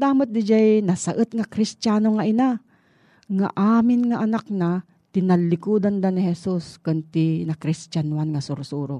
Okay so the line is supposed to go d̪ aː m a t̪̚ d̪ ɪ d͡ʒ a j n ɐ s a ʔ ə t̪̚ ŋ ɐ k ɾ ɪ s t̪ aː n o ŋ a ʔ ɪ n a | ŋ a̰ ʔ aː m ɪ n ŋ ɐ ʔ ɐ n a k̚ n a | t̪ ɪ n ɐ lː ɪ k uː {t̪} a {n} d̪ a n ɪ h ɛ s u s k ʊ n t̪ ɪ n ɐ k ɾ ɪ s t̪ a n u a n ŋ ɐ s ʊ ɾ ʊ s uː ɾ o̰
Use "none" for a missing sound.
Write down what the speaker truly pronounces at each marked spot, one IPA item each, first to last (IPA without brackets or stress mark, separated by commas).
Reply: d̪, n